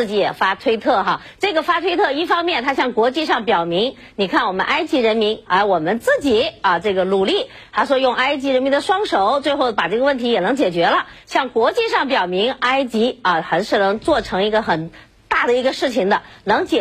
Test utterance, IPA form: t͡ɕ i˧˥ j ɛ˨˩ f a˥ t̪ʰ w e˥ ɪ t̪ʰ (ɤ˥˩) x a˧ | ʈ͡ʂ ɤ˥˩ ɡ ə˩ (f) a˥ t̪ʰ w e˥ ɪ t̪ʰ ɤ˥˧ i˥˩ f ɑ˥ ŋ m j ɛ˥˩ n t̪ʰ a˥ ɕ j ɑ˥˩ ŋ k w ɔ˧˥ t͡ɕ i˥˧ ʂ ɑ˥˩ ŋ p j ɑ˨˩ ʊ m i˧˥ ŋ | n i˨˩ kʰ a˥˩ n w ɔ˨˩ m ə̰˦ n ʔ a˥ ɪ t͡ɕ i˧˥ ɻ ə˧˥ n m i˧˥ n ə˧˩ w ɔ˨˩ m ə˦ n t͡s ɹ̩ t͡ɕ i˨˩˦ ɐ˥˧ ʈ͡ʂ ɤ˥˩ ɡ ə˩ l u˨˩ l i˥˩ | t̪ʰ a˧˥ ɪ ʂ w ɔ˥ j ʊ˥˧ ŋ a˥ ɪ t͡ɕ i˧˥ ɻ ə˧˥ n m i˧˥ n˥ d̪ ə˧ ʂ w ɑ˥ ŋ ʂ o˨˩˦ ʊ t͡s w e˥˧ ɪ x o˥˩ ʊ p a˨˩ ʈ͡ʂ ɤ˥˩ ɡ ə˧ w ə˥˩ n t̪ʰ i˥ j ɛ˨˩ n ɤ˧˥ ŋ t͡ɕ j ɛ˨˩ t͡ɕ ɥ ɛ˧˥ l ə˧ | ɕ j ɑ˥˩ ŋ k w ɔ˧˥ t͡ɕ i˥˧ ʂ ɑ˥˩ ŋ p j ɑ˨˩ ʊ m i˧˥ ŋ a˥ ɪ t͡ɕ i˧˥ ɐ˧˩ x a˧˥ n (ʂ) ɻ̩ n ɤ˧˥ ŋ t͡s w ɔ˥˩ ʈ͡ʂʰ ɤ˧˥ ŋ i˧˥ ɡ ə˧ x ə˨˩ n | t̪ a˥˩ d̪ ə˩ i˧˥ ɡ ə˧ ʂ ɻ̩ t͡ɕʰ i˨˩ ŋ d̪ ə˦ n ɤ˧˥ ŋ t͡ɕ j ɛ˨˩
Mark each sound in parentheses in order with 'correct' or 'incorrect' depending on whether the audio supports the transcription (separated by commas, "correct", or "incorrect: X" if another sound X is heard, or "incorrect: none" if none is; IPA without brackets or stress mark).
correct, correct, correct